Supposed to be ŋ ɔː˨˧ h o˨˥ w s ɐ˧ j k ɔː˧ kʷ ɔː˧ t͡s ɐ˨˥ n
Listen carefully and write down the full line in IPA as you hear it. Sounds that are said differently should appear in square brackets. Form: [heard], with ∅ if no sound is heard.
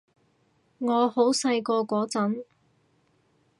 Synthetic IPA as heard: ŋ ɔː˨˧ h o˨˥ w s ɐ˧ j k ɔː˧ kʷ [ɔː˨˥] t͡s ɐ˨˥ n